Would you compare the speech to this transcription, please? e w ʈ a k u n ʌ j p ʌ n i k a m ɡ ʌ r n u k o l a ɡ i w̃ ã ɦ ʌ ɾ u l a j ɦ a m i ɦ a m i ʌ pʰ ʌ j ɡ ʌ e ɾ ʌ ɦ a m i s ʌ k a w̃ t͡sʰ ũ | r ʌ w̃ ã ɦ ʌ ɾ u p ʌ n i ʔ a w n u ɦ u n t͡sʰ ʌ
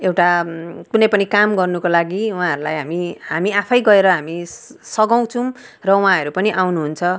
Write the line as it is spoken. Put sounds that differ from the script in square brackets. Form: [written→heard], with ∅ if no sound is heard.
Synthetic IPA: e w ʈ a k u n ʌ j p ʌ n i k a m ɡ ʌ r n u k o l a ɡ i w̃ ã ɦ ʌ ɾ u l a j ɦ a m i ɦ a m i [ʌ→a] pʰ ʌ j ɡ ʌ e ɾ ʌ ɦ a m i s ʌ [k→ɡ] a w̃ t͡sʰ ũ | r ʌ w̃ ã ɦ ʌ ɾ u p ʌ n i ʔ a w n u ɦ u n t͡sʰ ʌ